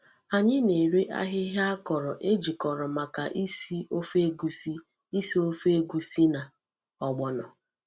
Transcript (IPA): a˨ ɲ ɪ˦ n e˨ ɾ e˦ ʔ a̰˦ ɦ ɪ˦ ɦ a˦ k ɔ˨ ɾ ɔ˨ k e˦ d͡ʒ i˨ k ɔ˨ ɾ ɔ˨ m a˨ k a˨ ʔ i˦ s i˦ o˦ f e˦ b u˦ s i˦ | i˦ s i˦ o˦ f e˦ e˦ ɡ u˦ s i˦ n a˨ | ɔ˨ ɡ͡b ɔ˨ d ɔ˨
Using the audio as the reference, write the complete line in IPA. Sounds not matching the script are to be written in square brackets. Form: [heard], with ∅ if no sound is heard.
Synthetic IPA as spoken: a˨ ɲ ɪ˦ n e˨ ɾ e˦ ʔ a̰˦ ɦ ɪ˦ ɦ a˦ k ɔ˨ ɾ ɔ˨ [ʔ] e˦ d͡ʒ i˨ k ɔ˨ ɾ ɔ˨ m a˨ k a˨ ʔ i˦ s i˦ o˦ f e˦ [ɡ] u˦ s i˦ | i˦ s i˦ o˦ f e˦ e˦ ɡ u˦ s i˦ n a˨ | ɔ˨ ɡ͡b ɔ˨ [n] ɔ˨